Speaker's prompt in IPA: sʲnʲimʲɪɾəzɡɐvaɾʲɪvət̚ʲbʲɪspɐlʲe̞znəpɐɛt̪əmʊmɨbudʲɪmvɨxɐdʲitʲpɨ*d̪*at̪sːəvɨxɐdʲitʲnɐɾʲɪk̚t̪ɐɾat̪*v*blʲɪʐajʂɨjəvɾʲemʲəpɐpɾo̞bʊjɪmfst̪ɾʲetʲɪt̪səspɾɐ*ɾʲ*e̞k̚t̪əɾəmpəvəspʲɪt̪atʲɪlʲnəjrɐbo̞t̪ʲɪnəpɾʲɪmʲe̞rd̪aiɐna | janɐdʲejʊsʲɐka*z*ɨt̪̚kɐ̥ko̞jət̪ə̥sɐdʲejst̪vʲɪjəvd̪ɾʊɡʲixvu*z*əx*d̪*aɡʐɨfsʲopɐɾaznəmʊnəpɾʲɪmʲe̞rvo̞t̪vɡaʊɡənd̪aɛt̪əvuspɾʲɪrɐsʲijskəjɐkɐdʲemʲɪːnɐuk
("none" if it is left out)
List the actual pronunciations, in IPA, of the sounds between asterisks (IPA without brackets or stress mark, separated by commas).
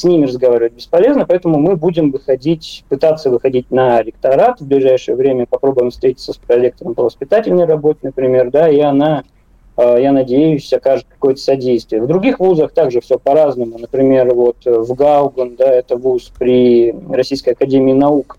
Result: t̪, v, lʲ, ʐ, z, t̪